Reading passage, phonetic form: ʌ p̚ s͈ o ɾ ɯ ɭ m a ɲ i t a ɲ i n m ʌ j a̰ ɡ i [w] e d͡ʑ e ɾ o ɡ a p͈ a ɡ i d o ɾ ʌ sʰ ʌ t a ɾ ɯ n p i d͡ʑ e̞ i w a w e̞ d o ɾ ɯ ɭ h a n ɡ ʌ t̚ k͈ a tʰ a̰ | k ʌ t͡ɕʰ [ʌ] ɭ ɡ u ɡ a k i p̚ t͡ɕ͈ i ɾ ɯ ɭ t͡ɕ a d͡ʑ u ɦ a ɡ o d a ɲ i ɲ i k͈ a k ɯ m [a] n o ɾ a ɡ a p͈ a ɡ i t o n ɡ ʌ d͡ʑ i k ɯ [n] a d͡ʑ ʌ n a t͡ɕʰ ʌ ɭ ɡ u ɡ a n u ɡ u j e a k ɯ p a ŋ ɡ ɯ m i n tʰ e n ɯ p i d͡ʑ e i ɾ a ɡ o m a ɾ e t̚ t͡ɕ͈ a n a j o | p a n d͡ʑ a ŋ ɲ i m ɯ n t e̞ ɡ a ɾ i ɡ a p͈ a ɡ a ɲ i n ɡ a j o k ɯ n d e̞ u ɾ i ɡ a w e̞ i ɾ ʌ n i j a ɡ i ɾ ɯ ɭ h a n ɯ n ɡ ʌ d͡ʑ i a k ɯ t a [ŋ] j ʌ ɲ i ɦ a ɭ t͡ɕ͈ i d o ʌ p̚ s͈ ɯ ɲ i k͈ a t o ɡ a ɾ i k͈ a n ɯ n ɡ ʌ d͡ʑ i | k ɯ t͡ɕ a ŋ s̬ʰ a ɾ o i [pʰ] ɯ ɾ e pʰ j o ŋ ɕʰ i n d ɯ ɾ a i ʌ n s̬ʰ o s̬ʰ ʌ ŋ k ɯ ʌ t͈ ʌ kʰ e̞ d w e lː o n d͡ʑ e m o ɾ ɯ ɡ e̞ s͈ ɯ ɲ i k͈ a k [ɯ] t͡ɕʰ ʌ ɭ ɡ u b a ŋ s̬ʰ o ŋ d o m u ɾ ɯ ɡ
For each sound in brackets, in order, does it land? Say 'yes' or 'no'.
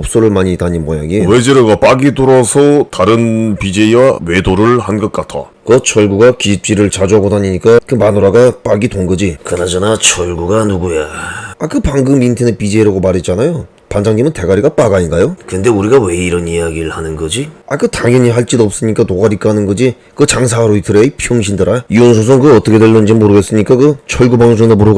yes, yes, yes, yes, yes, no, yes

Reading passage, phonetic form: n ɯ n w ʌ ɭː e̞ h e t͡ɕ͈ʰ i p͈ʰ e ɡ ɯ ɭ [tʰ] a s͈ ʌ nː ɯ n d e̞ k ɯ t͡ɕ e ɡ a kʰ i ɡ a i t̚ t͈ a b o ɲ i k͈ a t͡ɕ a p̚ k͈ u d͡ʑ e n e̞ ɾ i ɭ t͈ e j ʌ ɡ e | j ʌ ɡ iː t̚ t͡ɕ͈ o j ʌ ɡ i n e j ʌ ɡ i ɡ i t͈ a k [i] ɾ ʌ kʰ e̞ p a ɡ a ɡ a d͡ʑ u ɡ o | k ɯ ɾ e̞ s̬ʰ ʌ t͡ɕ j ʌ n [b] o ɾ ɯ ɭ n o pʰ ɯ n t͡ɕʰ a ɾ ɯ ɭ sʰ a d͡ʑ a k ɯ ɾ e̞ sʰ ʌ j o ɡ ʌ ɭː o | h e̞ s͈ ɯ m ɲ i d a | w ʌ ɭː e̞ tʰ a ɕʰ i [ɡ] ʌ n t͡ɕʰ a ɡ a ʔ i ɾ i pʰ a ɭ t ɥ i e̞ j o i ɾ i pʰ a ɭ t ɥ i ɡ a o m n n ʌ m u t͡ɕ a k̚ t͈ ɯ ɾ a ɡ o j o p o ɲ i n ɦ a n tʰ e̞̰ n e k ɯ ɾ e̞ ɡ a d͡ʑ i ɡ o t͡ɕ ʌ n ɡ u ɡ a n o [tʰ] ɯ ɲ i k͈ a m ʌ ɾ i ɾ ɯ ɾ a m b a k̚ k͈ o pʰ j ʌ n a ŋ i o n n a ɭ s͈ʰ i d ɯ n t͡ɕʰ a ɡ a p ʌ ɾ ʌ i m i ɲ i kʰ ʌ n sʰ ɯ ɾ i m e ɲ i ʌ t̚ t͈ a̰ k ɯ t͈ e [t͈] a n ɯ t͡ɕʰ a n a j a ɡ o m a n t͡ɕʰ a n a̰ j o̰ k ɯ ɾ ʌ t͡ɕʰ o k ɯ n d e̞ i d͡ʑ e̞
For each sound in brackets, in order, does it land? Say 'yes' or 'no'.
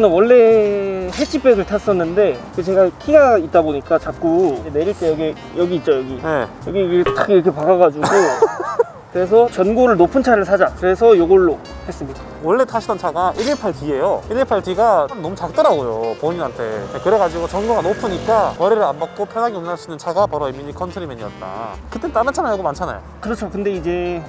yes, yes, no, no, no, yes

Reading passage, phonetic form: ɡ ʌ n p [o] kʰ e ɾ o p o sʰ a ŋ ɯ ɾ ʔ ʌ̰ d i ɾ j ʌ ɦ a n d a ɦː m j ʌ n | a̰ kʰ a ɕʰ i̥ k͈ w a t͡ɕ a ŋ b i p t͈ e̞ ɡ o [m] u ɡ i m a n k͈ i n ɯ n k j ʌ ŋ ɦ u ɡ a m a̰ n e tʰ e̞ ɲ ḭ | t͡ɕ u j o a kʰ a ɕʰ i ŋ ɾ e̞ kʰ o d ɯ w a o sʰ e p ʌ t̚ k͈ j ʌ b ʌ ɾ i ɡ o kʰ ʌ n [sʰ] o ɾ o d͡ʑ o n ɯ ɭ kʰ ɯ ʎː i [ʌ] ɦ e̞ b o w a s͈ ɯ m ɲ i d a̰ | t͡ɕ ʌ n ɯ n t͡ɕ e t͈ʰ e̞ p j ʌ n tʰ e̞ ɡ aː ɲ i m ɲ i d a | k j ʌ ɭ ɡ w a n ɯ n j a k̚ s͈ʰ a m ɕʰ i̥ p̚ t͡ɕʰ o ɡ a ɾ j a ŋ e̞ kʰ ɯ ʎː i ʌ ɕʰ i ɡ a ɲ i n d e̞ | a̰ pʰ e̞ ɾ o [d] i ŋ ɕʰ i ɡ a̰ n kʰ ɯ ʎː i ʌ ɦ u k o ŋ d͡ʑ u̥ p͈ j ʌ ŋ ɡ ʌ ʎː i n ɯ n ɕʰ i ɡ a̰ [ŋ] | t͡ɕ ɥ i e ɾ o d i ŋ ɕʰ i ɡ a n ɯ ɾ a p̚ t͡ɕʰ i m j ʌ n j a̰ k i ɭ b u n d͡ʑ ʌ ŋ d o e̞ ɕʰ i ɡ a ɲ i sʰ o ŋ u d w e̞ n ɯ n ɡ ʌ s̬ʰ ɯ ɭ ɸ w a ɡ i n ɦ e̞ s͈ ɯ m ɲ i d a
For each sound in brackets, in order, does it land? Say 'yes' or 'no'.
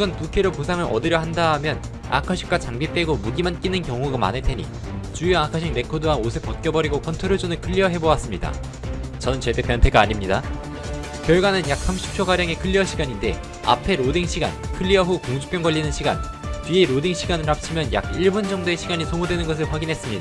no, yes, no, yes, yes, no

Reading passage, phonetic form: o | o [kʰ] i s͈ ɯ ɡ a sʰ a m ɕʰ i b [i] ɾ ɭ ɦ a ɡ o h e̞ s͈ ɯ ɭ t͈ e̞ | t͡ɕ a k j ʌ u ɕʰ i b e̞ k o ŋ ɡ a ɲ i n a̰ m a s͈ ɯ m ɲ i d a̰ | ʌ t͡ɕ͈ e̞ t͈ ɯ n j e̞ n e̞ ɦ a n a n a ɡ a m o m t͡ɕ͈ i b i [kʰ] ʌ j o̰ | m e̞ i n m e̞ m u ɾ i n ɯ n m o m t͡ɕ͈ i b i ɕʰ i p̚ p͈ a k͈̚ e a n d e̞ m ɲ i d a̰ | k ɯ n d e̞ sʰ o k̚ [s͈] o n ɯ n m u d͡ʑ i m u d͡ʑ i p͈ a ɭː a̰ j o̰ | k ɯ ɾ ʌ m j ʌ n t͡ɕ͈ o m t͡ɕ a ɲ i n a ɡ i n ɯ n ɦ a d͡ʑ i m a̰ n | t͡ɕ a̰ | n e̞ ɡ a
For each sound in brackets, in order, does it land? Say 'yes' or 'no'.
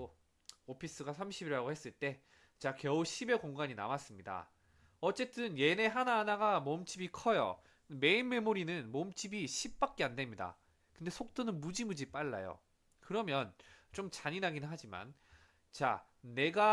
no, yes, yes, no

